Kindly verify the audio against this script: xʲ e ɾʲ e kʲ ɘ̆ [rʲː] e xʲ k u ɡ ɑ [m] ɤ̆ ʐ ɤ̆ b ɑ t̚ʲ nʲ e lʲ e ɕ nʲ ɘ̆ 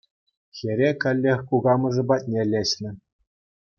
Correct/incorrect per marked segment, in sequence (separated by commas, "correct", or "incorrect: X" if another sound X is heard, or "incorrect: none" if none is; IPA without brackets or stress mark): incorrect: lʲː, correct